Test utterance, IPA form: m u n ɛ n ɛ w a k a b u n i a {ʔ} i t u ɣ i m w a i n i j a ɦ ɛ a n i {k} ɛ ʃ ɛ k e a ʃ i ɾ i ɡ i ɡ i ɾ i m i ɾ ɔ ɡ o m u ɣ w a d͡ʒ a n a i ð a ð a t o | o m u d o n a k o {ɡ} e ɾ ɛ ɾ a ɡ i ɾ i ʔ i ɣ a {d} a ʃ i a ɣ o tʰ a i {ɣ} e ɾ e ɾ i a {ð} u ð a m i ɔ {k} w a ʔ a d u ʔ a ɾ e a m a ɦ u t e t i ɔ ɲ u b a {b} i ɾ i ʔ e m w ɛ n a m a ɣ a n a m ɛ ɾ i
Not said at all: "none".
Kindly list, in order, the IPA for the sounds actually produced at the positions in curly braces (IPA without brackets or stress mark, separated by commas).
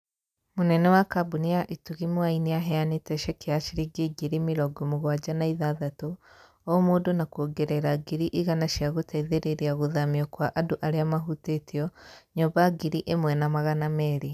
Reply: ʔ, t, ɡ, n, ð, ɣ, k, ɡ